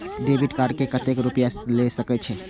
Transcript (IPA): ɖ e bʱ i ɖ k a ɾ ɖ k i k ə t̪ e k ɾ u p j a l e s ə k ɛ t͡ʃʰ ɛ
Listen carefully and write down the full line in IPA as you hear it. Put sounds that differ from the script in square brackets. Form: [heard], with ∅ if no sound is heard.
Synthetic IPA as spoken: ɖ e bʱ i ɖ k a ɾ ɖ k [e] k ə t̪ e k ɾ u p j a l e s ə k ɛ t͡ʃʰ ɛ

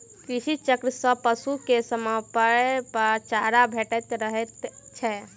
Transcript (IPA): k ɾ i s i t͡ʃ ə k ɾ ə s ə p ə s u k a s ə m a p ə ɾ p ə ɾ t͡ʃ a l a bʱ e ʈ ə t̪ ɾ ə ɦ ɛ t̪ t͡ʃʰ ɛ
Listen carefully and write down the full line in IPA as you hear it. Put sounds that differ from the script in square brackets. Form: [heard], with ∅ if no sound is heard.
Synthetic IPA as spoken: k ɾ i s i t͡ʃ ə k ɾ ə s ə p ə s u k [e] s ə m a p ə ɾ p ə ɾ t͡ʃ a [ɾ] a bʱ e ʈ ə t̪ ɾ ə ɦ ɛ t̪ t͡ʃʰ ɛ

